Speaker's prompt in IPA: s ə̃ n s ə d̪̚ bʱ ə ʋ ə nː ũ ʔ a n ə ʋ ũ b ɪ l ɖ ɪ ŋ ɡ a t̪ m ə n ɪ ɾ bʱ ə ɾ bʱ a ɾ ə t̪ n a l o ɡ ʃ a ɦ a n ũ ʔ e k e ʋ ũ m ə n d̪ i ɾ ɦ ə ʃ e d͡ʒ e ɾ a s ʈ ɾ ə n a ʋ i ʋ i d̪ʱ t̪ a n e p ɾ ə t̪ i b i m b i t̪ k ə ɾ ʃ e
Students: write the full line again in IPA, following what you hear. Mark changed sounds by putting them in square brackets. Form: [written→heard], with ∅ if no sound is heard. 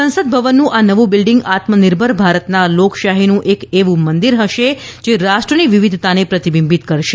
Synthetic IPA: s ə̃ n s ə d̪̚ bʱ ə ʋ ə nː ũ ʔ a n ə ʋ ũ b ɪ l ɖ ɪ ŋ ɡ a t̪ m ə n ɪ ɾ bʱ ə ɾ bʱ a ɾ ə t̪ n a l o [ɡ→k] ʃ a ɦ [a→i] n ũ ʔ e k e ʋ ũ m ə n d̪ i ɾ ɦ ə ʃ e d͡ʒ e ɾ a [s→ʃ] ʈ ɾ ə n [a→i] ʋ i ʋ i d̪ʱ t̪ a n e p ɾ ə t̪ i b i m b i t̪ k ə ɾ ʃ e

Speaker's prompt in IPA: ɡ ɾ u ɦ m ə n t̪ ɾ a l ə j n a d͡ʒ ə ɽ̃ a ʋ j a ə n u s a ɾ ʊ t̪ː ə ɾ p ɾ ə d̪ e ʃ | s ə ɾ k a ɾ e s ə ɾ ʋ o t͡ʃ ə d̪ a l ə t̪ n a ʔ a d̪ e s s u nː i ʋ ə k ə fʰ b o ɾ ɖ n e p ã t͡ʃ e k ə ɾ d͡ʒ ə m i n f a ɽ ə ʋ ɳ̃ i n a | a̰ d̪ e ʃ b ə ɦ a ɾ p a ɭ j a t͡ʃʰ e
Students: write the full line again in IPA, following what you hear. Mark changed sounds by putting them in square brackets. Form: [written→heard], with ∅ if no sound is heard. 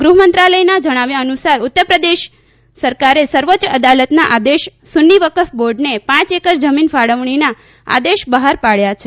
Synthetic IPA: ɡ ɾ u ɦ m ə n t̪ ɾ a l ə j n a d͡ʒ ə ɽ̃ a ʋ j a ə n u s a ɾ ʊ t̪ː ə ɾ p ɾ ə d̪ e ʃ | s ə ɾ k a ɾ e s ə ɾ ʋ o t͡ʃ ə d̪ a l ə t̪ n a ʔ a d̪ e [s→ʃ] s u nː i ʋ ə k ə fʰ b o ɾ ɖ n e p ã t͡ʃ e k ə ɾ d͡ʒ ə m i n f a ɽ ə ʋ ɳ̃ i n a | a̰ d̪ e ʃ b ə ɦ a ɾ p a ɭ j a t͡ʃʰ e

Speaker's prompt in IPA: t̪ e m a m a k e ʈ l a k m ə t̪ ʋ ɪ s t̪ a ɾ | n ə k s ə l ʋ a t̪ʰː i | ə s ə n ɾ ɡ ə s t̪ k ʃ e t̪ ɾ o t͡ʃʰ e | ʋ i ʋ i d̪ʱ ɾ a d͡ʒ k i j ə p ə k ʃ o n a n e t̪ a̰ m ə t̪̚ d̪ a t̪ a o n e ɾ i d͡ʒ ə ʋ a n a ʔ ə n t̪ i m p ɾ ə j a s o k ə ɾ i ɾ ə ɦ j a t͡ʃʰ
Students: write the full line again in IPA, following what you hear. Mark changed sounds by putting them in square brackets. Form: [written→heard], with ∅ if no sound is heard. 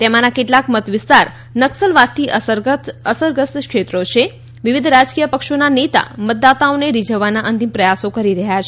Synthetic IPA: t̪ e m a [m→n] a k e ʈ l a k m ə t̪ ʋ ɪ s t̪ a ɾ | n ə k s ə l ʋ a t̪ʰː i | ə s ə [n→∅] ɾ ɡ ə s t̪ k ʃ e t̪ ɾ o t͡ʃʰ e | ʋ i ʋ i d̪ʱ ɾ a d͡ʒ k i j ə p ə k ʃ o n a n e t̪ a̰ m ə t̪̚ d̪ a t̪ a o n e ɾ i d͡ʒ ə ʋ a n a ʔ ə n t̪ i m p ɾ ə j a s o k ə ɾ i ɾ ə ɦ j a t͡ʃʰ

